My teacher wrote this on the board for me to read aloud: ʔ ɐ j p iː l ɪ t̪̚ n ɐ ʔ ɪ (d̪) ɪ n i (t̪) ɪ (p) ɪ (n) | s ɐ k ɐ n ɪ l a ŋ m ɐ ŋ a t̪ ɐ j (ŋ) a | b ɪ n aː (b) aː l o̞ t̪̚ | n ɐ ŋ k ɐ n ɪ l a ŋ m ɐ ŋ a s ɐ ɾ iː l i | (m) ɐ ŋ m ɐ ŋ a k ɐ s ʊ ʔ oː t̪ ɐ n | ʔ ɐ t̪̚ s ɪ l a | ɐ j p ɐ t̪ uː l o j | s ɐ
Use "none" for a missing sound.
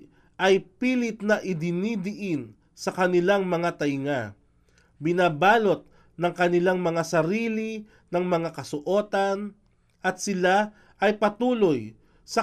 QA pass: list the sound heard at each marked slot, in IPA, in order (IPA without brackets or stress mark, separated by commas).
d̪, d̪, ʔ, n, ŋ, b, n